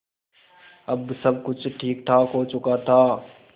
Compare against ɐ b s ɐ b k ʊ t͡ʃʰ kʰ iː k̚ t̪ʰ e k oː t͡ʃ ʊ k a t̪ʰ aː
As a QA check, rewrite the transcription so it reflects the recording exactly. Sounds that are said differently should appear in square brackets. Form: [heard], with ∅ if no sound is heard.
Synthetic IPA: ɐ b s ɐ b k ʊ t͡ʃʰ [ʈʰ] iː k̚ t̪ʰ [a] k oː t͡ʃ ʊ k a t̪ʰ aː